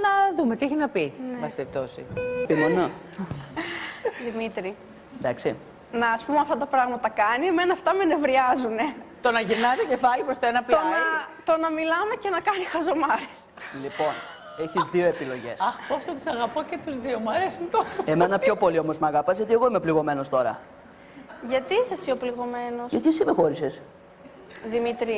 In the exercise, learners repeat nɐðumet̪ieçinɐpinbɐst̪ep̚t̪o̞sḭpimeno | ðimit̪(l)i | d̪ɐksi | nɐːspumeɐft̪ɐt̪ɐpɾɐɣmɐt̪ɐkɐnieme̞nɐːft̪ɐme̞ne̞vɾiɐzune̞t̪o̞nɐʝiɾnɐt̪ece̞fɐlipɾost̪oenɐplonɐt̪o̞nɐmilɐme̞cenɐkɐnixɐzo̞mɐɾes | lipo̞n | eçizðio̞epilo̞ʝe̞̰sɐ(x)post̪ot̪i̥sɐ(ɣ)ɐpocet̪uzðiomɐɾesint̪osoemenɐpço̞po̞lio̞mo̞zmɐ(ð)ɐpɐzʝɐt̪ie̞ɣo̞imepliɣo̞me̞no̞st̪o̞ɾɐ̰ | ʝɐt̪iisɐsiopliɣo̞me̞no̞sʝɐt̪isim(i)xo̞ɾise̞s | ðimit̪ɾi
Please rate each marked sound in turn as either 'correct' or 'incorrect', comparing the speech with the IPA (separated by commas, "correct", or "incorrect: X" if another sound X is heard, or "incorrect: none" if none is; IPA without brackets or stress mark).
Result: incorrect: ɾ, correct, correct, incorrect: ɣ, incorrect: e